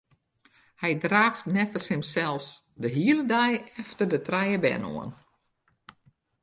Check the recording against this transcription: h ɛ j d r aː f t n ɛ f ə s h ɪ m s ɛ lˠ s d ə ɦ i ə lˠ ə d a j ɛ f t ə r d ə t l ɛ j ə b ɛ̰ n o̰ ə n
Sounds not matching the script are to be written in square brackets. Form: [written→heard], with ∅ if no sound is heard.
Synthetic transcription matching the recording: h ɛ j d r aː f t n ɛ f ə s h ɪ m s ɛ lˠ s d ə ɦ i ə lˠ ə d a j ɛ f t ə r d ə t [l→r] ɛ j ə b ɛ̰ n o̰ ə n